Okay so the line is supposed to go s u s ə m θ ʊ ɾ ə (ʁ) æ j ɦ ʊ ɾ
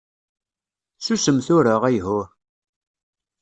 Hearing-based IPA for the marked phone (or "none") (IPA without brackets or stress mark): ʁ